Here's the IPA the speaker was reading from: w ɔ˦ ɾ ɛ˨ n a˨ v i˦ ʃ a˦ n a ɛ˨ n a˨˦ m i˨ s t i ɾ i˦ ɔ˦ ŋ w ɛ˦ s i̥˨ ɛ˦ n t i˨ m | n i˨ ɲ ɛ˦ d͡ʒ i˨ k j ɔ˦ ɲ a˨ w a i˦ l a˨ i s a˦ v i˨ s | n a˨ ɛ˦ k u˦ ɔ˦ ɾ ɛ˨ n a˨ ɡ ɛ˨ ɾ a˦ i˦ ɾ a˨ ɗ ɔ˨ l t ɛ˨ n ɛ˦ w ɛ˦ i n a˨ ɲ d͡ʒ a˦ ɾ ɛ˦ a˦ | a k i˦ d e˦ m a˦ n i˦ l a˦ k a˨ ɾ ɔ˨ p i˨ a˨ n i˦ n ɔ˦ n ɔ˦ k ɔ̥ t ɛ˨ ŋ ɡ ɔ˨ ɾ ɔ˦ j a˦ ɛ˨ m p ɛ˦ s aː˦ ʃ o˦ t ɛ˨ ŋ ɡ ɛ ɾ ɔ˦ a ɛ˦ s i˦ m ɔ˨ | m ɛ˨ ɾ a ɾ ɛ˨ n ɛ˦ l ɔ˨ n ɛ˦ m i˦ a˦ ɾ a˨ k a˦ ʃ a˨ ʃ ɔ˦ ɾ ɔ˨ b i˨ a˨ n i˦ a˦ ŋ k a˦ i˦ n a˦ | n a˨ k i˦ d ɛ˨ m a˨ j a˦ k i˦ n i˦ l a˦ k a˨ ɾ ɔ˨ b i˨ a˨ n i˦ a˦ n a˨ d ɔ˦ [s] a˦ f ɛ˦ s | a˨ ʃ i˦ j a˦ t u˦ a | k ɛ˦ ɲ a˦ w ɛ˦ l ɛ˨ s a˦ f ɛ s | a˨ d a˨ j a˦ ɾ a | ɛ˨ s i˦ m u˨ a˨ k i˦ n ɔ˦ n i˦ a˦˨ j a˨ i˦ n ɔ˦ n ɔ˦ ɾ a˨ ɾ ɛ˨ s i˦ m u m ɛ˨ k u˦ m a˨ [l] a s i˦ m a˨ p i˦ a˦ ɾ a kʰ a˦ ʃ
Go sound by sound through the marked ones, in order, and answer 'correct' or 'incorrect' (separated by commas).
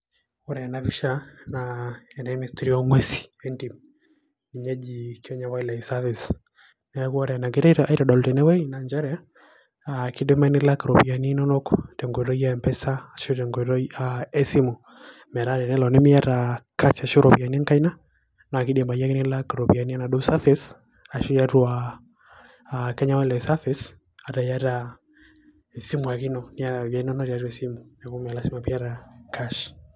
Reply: correct, correct